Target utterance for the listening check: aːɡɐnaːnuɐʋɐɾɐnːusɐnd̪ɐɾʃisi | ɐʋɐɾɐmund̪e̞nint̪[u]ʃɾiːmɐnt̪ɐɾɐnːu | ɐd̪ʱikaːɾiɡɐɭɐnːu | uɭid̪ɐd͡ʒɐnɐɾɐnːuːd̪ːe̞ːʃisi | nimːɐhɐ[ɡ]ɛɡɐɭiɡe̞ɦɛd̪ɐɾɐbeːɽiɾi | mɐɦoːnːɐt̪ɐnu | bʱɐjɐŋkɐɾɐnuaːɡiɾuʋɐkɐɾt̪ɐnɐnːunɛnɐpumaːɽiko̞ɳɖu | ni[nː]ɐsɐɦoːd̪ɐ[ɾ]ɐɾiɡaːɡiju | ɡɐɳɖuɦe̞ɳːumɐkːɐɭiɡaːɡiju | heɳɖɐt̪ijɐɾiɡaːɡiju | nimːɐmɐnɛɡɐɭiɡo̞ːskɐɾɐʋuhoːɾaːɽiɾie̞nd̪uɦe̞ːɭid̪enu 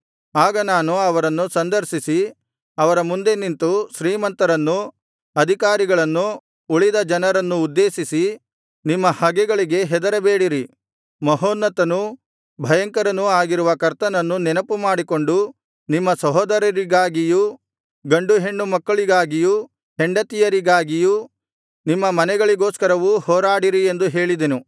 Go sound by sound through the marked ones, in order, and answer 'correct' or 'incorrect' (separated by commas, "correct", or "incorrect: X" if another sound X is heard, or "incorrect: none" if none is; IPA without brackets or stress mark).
correct, correct, incorrect: mː, correct